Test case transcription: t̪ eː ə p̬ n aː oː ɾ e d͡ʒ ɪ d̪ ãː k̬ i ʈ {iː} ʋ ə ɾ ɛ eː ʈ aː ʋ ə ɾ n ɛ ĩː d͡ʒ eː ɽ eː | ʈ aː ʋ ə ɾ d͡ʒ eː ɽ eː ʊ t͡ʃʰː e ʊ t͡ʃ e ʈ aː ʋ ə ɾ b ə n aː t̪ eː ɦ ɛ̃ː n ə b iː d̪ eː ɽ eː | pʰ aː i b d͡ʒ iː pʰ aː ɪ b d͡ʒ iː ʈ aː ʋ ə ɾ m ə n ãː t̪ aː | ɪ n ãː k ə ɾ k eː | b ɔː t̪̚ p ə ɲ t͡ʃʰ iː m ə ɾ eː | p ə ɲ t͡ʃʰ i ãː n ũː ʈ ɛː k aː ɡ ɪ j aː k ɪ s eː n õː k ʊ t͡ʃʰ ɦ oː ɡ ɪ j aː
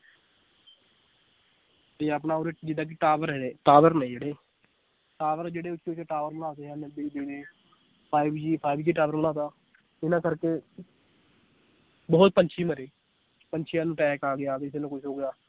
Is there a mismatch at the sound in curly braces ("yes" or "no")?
yes